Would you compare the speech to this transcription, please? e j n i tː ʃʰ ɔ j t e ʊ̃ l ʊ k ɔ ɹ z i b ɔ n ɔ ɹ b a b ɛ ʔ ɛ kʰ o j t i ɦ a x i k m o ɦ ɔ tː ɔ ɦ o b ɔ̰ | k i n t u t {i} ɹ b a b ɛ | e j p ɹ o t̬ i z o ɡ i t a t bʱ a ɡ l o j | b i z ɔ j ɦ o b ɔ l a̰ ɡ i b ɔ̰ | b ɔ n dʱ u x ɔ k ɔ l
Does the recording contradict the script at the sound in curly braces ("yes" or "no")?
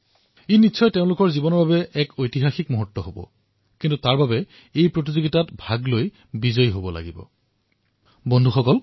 yes